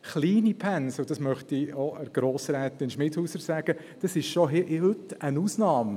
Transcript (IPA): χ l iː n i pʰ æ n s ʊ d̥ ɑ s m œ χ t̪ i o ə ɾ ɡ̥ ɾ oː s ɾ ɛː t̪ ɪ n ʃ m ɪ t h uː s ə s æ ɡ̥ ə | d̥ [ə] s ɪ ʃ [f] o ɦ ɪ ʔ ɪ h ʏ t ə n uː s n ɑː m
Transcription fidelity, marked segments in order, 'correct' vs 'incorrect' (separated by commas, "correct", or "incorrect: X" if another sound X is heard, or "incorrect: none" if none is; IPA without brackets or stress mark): incorrect: ɑ, incorrect: ʃ